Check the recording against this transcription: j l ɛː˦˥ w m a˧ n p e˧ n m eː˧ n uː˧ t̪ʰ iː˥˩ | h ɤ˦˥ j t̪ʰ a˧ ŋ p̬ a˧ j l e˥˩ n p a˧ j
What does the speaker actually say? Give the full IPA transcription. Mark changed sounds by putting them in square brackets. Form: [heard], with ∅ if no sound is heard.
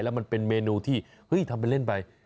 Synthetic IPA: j l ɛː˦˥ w m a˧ n p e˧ n m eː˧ n uː˧ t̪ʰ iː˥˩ | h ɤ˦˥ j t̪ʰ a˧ [m] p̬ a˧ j l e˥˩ n p a˧ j